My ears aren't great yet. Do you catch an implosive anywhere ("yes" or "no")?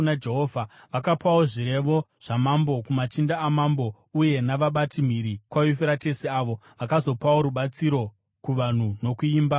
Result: yes